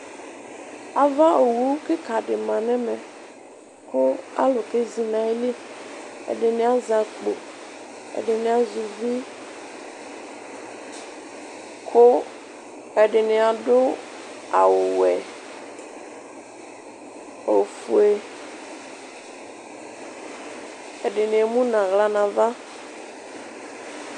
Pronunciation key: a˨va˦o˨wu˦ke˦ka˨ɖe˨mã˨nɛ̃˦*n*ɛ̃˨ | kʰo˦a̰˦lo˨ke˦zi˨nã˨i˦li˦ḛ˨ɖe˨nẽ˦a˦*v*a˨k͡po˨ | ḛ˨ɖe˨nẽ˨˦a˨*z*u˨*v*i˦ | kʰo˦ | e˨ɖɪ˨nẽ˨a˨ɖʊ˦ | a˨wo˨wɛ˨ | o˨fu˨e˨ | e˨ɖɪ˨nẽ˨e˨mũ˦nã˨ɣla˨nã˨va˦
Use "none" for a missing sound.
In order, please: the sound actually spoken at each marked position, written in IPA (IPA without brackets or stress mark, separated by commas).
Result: m, z, z, v